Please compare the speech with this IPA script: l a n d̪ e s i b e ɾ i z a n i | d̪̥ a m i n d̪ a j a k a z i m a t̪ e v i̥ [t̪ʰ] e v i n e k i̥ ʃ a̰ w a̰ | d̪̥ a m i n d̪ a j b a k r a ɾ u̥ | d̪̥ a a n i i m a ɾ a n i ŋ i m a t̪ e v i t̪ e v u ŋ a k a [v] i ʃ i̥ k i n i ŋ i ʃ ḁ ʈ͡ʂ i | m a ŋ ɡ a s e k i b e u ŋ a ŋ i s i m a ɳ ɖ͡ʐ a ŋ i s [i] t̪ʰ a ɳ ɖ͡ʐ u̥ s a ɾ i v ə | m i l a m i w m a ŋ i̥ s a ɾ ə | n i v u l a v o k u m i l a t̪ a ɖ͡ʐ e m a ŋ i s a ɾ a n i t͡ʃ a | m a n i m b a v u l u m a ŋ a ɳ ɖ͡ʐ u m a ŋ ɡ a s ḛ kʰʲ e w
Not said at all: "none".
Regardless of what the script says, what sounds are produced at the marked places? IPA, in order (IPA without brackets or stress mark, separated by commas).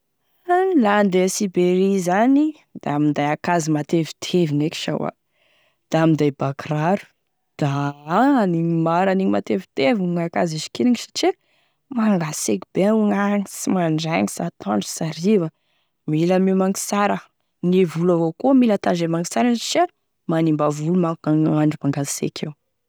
t̪ʰ, z, a